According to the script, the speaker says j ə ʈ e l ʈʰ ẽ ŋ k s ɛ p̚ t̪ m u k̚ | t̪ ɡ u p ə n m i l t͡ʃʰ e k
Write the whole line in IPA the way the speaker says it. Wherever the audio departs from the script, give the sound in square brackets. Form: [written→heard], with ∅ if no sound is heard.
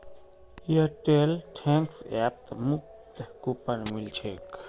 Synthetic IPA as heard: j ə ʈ e l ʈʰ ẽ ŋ k s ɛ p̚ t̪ m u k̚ | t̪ [ɡ→k] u p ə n m i l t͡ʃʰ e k